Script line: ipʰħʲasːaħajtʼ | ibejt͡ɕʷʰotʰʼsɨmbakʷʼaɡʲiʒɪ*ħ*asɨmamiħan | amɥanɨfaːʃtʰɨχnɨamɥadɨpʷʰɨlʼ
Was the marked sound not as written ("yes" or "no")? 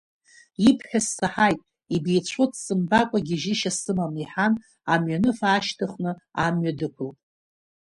yes